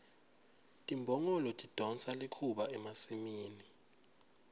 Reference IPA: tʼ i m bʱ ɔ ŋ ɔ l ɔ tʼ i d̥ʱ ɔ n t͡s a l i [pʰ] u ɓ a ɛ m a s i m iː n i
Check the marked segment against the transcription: incorrect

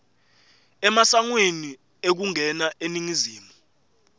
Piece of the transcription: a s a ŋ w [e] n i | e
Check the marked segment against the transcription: correct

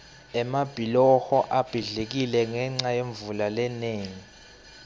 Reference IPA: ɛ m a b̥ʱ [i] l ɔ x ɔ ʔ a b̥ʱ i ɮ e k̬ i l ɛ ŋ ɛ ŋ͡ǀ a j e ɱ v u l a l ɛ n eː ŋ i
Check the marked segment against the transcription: correct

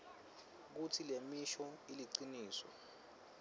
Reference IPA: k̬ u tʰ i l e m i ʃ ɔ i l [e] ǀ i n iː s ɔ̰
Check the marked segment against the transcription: incorrect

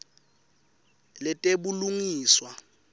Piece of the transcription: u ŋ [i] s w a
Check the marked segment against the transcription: incorrect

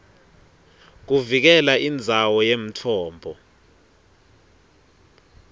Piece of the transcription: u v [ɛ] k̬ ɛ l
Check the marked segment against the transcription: incorrect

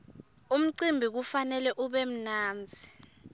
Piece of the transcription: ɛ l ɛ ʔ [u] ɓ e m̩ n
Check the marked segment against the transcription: correct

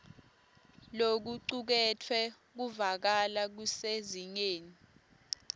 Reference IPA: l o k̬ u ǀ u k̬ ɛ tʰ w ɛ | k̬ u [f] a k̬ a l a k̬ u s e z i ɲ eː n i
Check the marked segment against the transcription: incorrect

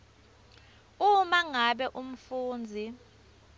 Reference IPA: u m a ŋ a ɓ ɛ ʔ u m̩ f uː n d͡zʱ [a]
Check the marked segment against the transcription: incorrect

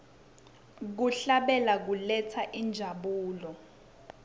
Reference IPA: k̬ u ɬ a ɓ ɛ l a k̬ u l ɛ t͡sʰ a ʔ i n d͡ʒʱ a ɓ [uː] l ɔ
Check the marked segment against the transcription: correct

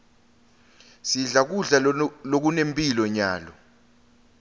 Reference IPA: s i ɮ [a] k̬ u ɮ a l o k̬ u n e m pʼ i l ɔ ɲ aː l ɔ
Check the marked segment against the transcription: correct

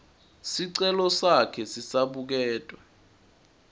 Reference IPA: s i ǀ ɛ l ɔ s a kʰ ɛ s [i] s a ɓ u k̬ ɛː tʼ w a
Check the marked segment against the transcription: correct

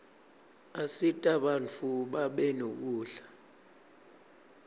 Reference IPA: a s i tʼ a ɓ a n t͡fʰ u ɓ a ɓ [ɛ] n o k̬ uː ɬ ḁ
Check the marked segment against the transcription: correct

